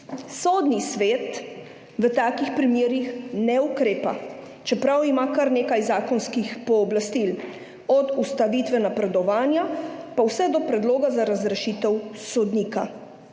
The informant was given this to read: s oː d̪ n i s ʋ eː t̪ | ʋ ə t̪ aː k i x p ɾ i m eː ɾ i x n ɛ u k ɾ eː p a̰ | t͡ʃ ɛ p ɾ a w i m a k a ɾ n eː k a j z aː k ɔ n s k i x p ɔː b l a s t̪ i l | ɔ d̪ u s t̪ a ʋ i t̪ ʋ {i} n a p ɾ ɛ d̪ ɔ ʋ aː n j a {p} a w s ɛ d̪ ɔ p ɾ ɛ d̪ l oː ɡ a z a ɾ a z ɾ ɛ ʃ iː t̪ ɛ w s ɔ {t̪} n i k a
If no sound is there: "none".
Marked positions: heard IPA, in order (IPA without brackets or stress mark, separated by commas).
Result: ɛ, p, d̪